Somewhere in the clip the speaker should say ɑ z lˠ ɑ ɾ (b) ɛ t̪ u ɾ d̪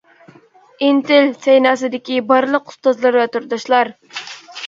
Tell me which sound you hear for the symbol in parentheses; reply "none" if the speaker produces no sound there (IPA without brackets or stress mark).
v